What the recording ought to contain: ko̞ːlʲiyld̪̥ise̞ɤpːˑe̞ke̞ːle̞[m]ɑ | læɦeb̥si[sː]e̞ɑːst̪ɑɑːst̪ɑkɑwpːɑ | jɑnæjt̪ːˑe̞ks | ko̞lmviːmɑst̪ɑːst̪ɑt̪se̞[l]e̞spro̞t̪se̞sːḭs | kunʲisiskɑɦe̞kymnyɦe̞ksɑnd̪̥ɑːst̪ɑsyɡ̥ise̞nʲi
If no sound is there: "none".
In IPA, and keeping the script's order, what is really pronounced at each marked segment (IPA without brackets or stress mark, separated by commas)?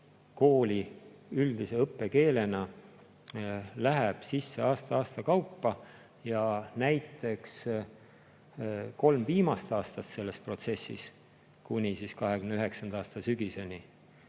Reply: n, sː, lː